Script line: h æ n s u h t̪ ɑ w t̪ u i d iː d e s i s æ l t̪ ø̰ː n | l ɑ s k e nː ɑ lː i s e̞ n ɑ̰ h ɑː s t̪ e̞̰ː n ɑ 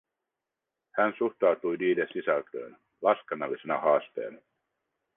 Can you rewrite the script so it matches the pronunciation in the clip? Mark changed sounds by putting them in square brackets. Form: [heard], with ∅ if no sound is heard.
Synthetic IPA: h æ n s u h t̪ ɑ w t̪ u [j] d iː d e s i s æ l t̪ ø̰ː n | l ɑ s k e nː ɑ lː i s e̞ n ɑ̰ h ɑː s t̪ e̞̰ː n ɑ